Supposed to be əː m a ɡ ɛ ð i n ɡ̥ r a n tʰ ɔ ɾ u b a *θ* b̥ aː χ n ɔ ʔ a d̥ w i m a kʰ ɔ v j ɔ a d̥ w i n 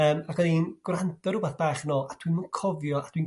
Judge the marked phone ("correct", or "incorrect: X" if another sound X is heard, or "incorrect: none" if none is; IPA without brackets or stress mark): correct